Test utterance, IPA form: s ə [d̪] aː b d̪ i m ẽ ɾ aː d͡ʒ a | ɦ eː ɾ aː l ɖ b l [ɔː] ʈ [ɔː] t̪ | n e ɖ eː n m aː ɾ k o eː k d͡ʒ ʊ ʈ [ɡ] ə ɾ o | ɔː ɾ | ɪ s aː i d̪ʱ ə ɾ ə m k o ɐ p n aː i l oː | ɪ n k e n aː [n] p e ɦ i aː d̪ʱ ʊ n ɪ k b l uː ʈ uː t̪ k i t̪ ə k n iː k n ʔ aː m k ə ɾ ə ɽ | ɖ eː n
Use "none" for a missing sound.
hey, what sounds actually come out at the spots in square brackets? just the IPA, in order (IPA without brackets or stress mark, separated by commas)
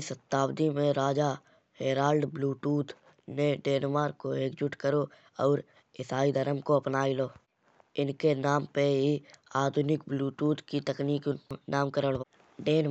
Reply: t̪, uː, uː, k, m